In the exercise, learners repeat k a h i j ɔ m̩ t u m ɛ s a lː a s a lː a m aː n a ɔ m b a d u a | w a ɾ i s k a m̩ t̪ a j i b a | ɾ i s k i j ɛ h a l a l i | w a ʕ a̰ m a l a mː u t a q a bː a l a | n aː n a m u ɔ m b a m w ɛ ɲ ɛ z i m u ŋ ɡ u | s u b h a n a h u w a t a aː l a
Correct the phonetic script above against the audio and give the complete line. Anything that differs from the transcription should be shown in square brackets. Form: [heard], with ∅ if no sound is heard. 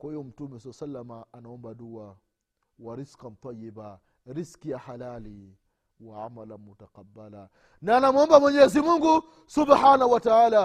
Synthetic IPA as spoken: k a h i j ɔ m̩ t u m ɛ s a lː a s a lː a m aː n a ɔ m b a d u a | w a ɾ i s k a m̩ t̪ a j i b a | ɾ i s k i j [a] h a l a l i | w a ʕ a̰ m a l a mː u t a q a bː a l a | n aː n a m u ɔ m b a m w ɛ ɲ ɛ z i m u ŋ ɡ u | s u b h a n a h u w a t a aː l a